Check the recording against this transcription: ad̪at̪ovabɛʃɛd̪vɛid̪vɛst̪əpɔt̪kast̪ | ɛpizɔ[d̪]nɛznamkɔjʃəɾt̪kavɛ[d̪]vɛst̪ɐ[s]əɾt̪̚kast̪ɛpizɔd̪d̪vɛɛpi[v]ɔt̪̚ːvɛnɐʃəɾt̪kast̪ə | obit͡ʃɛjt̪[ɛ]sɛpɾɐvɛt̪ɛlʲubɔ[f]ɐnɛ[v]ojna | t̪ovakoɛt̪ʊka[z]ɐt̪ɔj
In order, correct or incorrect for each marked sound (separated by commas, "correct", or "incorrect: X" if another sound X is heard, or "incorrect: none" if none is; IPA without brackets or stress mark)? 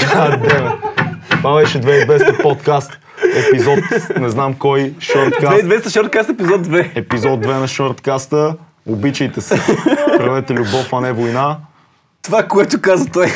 incorrect: t̪, correct, incorrect: ʃ, incorrect: z, correct, correct, correct, correct